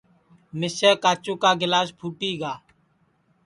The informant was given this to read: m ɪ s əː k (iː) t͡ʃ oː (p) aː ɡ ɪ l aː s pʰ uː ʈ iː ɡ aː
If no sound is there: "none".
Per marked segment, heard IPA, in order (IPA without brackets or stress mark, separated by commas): aː, k